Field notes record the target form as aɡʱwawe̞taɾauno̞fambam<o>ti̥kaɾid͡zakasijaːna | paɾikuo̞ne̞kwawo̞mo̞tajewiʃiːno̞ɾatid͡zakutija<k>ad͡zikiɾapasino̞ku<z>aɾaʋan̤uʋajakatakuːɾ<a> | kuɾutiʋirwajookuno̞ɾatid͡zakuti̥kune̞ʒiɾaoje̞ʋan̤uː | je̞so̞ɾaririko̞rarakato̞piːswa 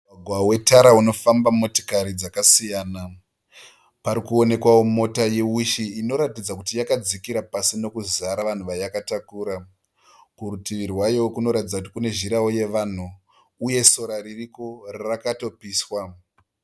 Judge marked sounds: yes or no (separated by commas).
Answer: yes, yes, yes, yes